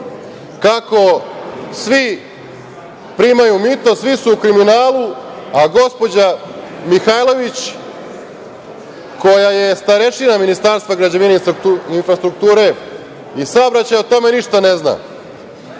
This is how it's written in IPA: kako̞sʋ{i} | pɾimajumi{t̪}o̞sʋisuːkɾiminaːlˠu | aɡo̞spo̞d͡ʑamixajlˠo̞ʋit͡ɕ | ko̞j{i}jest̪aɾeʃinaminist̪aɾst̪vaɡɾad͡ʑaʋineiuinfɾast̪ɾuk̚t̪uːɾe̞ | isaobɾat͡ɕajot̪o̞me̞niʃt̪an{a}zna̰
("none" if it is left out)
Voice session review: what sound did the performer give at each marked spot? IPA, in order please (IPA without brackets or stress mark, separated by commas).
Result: i, t̪, a, e